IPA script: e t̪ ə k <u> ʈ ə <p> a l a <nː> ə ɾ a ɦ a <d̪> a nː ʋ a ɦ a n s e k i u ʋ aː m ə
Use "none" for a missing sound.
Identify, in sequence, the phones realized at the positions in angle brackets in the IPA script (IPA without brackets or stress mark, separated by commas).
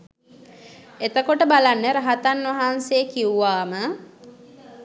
o, b, nː, t̪